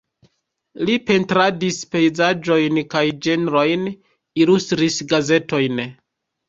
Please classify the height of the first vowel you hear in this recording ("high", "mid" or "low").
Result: high